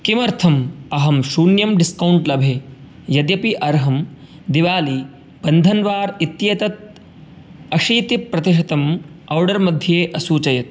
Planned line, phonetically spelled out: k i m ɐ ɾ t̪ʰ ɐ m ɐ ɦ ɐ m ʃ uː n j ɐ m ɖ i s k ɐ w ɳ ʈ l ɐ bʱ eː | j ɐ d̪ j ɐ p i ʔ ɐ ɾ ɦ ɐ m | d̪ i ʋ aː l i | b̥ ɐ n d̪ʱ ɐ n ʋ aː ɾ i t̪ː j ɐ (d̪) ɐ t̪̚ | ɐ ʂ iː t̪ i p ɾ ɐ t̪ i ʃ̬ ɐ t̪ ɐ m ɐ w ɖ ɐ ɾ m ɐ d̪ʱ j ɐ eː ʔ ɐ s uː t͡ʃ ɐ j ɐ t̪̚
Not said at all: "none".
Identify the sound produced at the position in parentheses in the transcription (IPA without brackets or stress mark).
t̪